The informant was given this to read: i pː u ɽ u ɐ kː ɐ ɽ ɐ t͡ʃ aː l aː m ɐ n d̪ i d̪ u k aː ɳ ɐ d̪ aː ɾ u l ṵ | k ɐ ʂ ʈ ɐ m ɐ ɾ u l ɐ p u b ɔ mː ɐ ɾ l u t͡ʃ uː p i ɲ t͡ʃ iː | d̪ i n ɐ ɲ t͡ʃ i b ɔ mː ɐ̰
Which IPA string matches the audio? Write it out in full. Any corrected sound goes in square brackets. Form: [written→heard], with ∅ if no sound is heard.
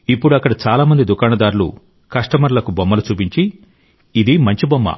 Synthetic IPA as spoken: i pː u ɽ u ɐ kː ɐ ɽ ɐ t͡ʃ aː l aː m ɐ n d̪ i d̪ u k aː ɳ ɐ d̪ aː ɾ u l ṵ | k ɐ ʂ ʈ ɐ m ɐ ɾ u l ɐ [p→k] u b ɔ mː ɐ [ɾ→∅] l u t͡ʃ uː p i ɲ t͡ʃ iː | d̪ i [n→m] ɐ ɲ t͡ʃ i b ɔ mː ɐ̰